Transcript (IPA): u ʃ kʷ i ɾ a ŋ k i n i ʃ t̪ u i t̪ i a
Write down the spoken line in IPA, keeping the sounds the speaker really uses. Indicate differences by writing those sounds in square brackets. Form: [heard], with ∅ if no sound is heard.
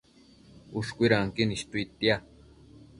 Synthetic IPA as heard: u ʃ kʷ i ɾ a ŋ k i n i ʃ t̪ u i t̪ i a